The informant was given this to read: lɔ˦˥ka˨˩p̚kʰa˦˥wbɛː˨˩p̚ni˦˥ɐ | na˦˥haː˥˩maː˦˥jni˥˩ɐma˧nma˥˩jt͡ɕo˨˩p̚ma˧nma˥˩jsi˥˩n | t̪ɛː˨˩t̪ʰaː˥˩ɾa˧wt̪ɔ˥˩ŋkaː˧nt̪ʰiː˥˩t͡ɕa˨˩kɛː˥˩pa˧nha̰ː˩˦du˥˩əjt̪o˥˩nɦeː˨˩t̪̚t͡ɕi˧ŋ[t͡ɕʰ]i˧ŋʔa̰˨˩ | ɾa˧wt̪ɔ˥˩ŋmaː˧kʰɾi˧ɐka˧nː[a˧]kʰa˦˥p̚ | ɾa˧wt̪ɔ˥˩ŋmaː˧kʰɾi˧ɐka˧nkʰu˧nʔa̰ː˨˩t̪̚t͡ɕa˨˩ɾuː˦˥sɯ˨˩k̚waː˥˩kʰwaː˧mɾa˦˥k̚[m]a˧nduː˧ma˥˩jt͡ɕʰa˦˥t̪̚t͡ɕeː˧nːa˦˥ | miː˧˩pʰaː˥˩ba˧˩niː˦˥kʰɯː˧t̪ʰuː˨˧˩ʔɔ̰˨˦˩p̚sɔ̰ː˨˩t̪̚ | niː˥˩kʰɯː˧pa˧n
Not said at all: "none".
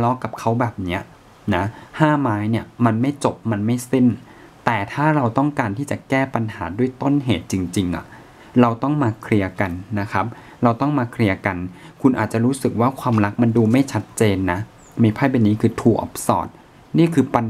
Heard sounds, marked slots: t͡ɕ, a˦˥, m

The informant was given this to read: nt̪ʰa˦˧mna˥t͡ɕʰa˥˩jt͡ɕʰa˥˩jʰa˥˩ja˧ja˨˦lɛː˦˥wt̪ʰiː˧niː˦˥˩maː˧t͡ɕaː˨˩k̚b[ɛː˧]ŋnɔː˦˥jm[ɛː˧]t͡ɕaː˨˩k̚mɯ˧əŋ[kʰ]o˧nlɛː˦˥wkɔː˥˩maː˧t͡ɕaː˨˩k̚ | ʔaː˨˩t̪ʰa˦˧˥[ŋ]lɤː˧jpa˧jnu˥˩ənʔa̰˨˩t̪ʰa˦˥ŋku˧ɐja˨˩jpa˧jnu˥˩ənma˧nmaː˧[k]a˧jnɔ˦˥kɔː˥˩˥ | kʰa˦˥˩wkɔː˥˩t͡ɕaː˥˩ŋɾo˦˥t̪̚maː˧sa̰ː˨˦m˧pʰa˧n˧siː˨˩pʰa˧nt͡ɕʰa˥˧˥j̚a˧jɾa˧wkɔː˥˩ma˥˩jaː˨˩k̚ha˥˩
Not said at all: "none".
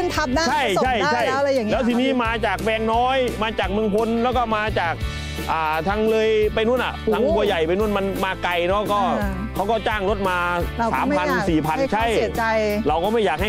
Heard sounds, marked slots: ɛː˧, aː˧, pʰ, ŋ, k

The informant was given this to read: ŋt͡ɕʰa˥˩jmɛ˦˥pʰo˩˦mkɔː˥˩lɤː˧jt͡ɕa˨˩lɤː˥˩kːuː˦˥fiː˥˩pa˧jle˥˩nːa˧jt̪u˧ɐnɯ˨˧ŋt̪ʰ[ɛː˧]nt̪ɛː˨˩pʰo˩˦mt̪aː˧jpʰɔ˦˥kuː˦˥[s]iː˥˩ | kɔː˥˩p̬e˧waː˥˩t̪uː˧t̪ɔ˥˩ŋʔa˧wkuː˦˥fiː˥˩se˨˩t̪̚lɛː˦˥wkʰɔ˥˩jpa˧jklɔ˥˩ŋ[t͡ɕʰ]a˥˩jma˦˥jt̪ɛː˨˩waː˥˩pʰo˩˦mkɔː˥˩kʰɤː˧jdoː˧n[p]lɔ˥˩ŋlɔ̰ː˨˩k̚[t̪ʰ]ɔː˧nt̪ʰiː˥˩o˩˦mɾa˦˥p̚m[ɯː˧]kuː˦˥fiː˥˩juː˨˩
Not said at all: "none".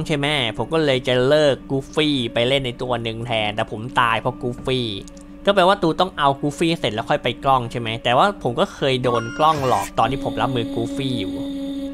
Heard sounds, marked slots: ɛː˧, f, t͡ɕʰ, k, t̪, ɯː˧

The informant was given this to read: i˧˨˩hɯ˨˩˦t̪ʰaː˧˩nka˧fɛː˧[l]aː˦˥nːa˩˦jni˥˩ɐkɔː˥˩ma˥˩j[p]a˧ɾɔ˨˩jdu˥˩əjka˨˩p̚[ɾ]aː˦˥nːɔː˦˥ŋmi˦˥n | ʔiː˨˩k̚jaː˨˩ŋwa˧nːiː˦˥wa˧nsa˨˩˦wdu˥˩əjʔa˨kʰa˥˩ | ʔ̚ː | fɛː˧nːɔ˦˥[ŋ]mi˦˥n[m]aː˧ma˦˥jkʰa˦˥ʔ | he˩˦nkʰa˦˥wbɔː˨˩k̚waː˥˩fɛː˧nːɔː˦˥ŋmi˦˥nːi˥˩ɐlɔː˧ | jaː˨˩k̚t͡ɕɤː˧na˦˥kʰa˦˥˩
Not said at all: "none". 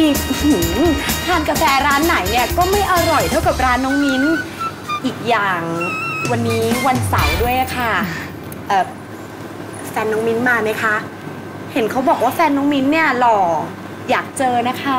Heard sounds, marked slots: ɾ, ʔ, ɾ, ŋ, m

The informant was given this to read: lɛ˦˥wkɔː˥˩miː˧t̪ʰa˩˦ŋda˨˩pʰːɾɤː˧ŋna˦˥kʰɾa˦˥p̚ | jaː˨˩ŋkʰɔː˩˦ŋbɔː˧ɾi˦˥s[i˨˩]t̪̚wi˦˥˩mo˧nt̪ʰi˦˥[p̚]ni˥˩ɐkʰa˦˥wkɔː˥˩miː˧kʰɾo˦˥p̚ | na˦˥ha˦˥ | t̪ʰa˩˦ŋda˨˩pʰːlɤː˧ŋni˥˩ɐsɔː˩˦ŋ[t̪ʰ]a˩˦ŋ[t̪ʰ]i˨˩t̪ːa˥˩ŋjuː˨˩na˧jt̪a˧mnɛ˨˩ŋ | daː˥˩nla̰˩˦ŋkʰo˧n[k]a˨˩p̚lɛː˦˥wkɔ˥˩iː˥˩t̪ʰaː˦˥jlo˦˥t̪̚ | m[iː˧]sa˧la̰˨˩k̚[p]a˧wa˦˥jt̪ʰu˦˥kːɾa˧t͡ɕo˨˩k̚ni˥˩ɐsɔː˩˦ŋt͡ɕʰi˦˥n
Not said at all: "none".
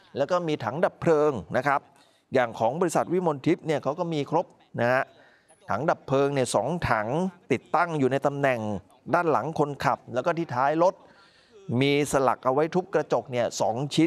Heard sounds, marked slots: a˨˩, p̚, t̪ʰ, t̪, kʰ, iː˧, ʔ

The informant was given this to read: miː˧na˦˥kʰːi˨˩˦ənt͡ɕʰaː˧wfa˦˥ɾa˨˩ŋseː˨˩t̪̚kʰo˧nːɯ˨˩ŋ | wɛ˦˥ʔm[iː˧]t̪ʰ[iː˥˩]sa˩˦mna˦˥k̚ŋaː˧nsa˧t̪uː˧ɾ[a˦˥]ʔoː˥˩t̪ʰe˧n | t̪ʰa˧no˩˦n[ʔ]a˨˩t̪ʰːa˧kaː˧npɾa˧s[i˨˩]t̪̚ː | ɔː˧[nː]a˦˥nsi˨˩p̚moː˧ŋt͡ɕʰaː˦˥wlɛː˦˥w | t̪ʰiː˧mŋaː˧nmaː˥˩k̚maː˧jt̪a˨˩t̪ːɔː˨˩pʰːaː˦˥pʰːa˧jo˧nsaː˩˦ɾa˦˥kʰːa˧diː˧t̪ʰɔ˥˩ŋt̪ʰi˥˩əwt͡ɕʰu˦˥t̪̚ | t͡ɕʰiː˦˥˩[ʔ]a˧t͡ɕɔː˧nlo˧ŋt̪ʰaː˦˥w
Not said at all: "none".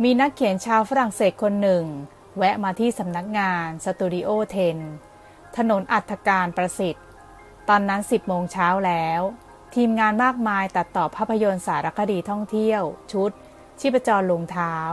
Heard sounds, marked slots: aː˧, iː˥˩, i˦˥, ʔ, i˨˩, nː, p

